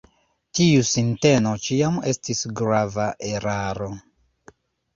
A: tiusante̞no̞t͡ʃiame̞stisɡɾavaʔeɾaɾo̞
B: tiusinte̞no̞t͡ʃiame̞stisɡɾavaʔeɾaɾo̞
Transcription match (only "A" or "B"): B